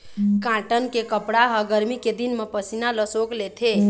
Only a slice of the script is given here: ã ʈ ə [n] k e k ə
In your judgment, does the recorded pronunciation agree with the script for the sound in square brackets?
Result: yes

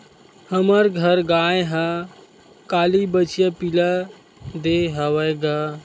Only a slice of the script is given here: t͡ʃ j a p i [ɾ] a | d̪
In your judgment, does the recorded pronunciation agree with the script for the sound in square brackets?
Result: no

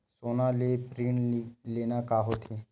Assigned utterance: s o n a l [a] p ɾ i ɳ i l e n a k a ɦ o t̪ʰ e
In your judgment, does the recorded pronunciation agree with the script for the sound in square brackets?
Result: no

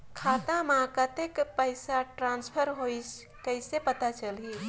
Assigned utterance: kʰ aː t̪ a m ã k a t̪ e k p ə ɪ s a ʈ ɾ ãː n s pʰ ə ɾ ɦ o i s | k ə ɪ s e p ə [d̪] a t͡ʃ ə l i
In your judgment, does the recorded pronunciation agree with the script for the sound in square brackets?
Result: no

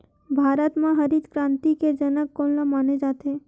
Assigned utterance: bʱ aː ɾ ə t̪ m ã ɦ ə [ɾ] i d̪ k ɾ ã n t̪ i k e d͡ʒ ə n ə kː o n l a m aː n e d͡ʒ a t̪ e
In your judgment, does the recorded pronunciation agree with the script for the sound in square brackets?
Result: yes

